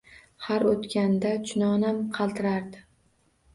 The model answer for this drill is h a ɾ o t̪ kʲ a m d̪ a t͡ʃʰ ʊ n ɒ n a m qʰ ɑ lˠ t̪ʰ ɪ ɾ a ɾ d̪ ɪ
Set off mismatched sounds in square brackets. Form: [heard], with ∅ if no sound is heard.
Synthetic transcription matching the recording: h a ɾ o t̪ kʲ a [n] d̪ a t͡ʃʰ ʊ n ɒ n a m qʰ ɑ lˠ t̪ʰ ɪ ɾ a ɾ d̪ ɪ